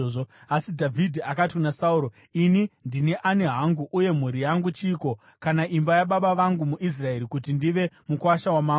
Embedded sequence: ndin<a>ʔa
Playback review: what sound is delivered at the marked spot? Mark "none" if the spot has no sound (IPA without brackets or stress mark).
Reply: e